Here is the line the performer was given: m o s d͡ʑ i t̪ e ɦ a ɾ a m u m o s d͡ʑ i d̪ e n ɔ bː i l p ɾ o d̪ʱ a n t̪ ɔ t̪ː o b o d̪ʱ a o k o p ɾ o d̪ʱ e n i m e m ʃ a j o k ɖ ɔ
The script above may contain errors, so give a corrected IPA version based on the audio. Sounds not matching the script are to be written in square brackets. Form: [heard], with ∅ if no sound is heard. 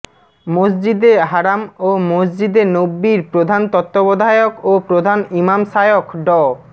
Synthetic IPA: m o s d͡ʑ i [d̪] e ɦ a ɾ a m [o] m o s d͡ʑ i d̪ e n [o] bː i [ɾ] p ɾ o d̪ʱ a n t̪ ɔ t̪ː o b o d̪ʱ a o k o p ɾ o d̪ʱ [a] n i m [a] m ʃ a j o k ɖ ɔ